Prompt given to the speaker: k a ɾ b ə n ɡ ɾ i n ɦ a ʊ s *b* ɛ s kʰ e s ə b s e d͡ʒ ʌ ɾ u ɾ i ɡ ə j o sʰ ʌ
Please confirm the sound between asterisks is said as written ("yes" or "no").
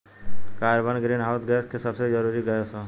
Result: no